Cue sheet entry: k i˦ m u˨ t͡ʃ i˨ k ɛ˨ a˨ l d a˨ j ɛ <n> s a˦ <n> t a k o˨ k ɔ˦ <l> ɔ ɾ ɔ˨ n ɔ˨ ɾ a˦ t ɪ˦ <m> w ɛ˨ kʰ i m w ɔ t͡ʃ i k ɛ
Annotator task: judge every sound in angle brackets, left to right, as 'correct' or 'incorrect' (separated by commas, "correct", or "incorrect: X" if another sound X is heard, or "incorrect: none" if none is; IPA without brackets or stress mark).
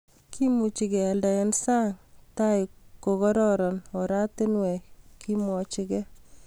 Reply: correct, incorrect: ŋ, incorrect: ɾ, incorrect: n